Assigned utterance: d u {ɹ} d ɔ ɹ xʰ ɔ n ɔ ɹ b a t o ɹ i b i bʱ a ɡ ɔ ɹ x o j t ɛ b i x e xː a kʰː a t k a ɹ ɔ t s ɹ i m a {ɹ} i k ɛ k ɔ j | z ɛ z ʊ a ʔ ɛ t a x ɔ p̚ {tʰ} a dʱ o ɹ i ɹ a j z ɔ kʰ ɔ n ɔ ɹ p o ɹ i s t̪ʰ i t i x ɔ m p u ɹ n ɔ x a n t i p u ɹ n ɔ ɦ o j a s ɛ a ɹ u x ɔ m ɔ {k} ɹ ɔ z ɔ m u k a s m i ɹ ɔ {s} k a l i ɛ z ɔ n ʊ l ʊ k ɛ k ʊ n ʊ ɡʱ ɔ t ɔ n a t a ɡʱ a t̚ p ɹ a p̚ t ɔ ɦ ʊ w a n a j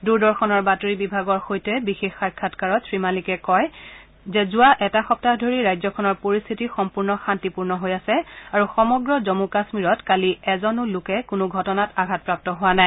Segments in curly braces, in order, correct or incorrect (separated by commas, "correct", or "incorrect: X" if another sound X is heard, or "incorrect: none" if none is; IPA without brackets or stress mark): correct, incorrect: l, incorrect: t, incorrect: ɡ, incorrect: t